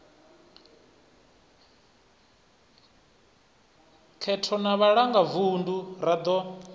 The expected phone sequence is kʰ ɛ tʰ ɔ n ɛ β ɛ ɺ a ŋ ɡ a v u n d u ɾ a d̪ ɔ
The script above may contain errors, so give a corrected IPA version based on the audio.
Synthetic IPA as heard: kʰ ɛ tʰ ɔ n a β a ɺ a ŋ ɡ a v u n d u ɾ a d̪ ɔ

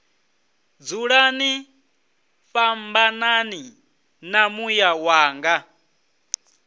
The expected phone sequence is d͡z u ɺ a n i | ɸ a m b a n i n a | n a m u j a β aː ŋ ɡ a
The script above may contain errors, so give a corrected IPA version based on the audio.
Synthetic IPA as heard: d͡z u ɺ a n i | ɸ a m b a n a n i | n a m u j a w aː ŋ ɡ a

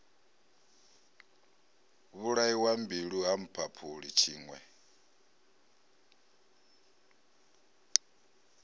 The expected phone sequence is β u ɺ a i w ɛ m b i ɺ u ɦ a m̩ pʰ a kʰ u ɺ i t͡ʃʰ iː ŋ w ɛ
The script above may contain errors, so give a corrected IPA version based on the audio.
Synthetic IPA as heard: β u ɺ a i w a m b i ɺ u ɦ a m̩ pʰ a pʰ u ɺ i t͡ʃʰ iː ŋ w ɛ

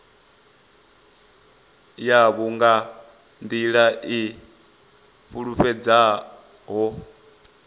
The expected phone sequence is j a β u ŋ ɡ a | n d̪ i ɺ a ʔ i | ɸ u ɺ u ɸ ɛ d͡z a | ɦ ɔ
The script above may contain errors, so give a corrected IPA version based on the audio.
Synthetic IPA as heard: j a β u ŋ ɡ a | n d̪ i ɺ a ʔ i | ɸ u ɺ u ɸ ɛ d͡z a | ɦ ɔ

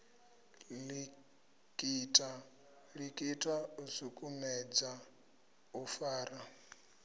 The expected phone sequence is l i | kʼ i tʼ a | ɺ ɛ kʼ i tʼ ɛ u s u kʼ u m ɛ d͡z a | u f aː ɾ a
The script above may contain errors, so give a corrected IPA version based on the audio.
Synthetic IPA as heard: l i | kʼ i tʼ a | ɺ i kʼ i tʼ a u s u kʼ u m ɛ d͡z a | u f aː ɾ a

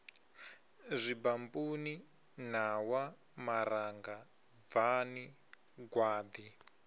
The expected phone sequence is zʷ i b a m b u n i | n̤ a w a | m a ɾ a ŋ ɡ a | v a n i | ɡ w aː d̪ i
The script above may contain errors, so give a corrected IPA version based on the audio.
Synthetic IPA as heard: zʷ i b a m b u n i | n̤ a w a | m a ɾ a ŋ ɡ a | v a n i | ɡ w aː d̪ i

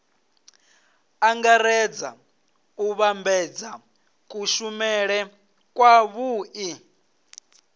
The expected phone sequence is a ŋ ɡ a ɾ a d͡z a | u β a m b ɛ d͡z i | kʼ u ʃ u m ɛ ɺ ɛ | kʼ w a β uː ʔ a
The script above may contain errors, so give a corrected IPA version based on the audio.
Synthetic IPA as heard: a ŋ ɡ a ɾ ɛ d͡z a | u β a m b ɛ d͡z a | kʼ u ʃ u m ɛ ɺ ɛ | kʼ w a β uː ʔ i

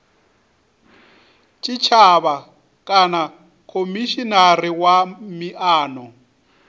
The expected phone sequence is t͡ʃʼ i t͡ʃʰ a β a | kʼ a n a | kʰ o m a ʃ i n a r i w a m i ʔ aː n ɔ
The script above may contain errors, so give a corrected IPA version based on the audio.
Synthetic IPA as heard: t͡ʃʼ i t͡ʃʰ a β a | kʼ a n a | kʰ o m i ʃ i n a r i w a m i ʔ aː n ɔ

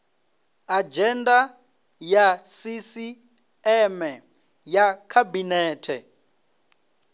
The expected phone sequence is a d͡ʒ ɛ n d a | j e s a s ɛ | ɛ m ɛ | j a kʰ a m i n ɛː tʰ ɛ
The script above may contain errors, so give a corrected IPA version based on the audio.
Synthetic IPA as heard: a d͡ʒ ɛ n d a | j a s i s i | ɛ m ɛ | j a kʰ a b i n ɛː tʰ ɛ

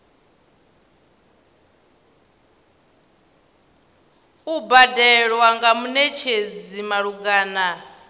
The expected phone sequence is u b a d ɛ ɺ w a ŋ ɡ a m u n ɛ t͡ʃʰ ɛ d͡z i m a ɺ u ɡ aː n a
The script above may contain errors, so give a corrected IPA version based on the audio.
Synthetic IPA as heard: u b a d ɛ ɺ w a ŋ ɡ a m u n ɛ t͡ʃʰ e d͡z i m a ɺ u ɡ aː n a

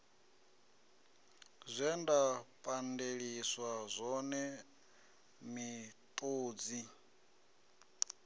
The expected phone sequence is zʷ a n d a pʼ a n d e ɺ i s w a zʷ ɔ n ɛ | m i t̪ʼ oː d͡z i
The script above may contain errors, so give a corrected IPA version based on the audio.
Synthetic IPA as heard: zʷ ɛ n d a pʼ a n d e ɺ i s w a zʷ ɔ n ɛ | m i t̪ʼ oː d͡z i

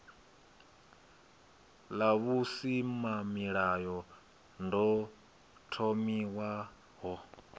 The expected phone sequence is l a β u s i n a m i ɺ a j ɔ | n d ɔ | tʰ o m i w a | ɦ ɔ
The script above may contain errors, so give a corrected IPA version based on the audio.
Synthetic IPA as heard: l a β u s i m a m i ɺ a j ɔ | n d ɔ | tʰ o m i w a | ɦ ɔ

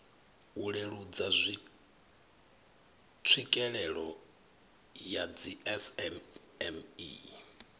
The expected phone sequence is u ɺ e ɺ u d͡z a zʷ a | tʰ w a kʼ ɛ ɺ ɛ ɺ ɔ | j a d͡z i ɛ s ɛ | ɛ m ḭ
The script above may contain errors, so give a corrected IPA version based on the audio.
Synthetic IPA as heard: u ɺ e ɺ u d͡z a zʷ i | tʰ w i kʼ ɛ ɺ ɛ ɺ ɔ | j a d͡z i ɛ s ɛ | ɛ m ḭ

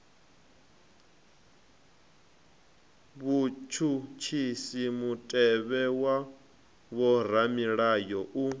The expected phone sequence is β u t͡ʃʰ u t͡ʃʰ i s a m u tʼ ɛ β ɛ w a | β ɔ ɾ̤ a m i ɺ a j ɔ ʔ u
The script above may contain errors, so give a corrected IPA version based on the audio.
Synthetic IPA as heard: β u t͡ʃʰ u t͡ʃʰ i s i m u tʼ ɛ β ɛ w a | β ɔ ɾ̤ a m i ɺ a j ɔ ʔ u

